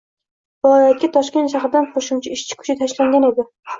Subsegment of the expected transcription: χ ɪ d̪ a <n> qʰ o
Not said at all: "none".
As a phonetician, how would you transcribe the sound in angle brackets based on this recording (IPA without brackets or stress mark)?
n